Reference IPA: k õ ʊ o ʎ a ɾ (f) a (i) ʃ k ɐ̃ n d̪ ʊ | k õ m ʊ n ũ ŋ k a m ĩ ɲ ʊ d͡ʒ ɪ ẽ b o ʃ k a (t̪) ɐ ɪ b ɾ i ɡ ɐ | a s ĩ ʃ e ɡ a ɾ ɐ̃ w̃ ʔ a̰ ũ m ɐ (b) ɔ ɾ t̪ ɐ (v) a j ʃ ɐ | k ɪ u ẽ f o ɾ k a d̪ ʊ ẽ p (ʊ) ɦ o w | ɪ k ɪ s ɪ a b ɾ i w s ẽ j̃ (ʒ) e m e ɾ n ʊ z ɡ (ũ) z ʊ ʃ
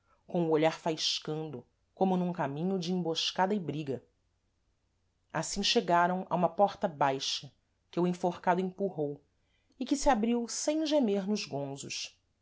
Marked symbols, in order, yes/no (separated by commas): yes, no, no, no, no, no, yes, no